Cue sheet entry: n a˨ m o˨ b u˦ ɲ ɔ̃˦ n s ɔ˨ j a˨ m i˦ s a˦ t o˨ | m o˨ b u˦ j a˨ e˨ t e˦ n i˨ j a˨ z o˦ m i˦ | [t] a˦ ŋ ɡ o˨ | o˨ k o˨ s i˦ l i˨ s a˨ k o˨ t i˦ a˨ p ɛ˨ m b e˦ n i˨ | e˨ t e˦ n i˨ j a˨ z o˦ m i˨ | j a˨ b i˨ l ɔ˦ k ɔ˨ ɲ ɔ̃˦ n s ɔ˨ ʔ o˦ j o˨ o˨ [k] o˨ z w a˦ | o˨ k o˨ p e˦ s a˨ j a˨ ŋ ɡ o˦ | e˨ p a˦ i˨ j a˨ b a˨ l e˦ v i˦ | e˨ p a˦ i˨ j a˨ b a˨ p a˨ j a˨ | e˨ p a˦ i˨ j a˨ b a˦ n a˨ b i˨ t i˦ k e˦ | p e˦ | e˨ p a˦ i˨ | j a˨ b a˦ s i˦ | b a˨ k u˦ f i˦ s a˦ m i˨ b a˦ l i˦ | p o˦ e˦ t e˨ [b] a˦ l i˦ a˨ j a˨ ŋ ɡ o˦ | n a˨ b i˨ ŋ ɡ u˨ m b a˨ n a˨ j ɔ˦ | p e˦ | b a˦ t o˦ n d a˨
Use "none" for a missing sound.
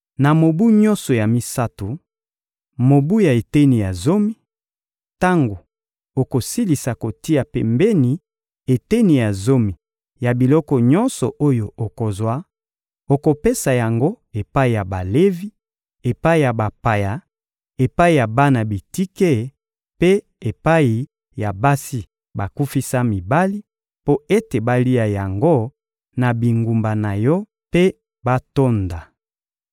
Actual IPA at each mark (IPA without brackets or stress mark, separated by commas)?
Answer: t, k, b